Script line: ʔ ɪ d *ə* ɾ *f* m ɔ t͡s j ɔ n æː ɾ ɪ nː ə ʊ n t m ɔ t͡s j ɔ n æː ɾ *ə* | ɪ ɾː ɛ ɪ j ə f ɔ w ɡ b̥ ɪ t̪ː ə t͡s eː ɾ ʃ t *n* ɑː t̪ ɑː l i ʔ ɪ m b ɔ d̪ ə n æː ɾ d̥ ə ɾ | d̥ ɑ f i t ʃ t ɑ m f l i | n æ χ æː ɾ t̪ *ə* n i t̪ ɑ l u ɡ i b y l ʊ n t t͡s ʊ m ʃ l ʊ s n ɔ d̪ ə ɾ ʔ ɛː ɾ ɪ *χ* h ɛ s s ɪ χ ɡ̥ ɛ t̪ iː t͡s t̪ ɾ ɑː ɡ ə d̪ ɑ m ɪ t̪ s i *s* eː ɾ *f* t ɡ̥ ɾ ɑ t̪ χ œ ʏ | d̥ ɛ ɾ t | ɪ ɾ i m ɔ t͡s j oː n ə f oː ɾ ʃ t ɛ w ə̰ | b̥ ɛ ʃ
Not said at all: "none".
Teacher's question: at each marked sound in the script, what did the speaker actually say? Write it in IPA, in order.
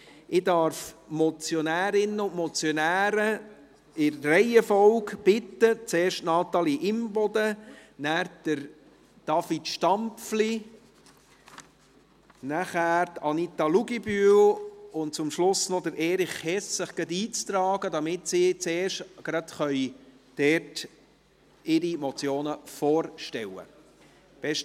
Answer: ɑ, f, ə, n, ɑ, χ, t͡s, ʃ

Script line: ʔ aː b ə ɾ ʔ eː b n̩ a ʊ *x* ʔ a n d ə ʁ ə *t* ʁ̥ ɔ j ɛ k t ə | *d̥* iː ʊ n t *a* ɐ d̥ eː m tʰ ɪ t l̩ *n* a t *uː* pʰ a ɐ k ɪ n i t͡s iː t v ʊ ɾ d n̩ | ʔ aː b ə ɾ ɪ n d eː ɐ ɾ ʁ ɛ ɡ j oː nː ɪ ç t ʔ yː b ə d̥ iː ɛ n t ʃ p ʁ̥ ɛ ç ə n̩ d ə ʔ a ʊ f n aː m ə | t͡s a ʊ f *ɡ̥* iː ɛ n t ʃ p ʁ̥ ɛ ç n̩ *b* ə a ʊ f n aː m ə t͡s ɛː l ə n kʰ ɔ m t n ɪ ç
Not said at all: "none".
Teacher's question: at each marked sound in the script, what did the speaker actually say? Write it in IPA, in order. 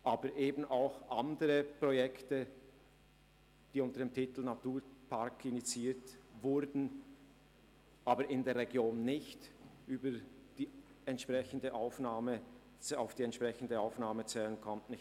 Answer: x, p, d̥, ə, n, uː, d̥, d

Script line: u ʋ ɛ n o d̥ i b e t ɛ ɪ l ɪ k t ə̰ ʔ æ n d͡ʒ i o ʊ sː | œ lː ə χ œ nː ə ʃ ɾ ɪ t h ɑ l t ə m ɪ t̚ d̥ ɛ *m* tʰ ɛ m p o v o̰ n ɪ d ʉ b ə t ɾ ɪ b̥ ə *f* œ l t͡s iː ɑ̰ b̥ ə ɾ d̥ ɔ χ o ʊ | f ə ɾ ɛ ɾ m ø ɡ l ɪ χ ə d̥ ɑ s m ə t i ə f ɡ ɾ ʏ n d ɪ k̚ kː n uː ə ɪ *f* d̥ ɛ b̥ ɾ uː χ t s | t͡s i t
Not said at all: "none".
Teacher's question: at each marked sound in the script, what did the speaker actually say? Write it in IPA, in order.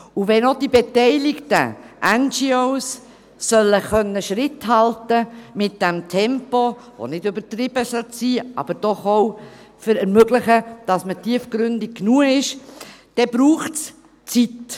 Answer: m, s, ʃ

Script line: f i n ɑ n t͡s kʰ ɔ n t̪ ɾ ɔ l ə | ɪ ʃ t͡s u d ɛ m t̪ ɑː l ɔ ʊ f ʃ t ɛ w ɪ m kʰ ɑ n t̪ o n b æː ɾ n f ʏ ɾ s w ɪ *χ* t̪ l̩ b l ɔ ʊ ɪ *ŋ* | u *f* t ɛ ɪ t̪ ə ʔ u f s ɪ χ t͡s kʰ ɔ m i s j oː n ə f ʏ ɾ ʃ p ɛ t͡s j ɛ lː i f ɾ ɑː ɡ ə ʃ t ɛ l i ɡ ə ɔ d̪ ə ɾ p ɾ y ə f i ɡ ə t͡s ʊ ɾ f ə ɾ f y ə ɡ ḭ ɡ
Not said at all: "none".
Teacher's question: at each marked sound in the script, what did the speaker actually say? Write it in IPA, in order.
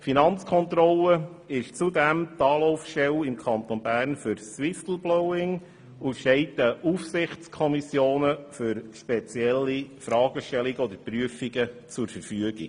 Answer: f, ŋ, ʃ

